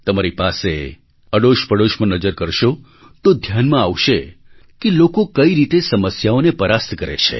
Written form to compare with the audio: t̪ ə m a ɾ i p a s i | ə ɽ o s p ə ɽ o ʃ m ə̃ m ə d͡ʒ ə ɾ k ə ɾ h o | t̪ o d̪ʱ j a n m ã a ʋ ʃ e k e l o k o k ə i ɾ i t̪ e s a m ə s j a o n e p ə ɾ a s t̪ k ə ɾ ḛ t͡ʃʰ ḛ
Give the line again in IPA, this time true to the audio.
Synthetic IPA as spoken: t̪ ə m a ɾ i p a s e | ə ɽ o ʃ p ə ɽ o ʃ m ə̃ n ə d͡ʒ ə ɾ k ə ɾ ʃ o | t̪ o d̪ʱ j a n m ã a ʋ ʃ e k e l o k o k ə i ɾ i t̪ e s ə m ə s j a o n e p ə ɾ a s t̪ k ə ɾ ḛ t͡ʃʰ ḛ